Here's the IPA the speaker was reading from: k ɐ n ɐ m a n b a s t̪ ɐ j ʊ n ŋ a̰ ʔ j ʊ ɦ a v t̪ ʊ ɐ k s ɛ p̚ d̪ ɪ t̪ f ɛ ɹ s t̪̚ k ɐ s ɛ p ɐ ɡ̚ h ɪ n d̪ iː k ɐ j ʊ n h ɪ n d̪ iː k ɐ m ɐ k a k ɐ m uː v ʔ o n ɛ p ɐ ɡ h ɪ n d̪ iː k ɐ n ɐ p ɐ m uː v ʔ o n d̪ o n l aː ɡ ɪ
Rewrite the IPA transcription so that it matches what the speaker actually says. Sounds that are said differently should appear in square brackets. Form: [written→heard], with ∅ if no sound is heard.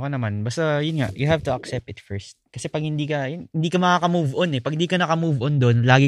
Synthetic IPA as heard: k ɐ n ɐ m a n b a s t̪ ɐ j ʊ n ŋ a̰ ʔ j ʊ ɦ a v t̪ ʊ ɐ k s ɛ p̚ [d̪→t̪] ɪ t̪ f ɛ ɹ s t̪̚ k ɐ s ɛ p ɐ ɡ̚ h ɪ n d̪ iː k ɐ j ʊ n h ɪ n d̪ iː k ɐ m ɐ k a k ɐ m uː v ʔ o n ɛ p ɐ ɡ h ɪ n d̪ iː k ɐ n ɐ [p→k] ɐ m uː v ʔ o n d̪ o n l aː ɡ ɪ